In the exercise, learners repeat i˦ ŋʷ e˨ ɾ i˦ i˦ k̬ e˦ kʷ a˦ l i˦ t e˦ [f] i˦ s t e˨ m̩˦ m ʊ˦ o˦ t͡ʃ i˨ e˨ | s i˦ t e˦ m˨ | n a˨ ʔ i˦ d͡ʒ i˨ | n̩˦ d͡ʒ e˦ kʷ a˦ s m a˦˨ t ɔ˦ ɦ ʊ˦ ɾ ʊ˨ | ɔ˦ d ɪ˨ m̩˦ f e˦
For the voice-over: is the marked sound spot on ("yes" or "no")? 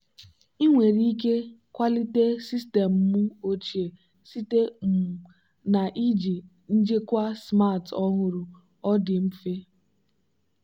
no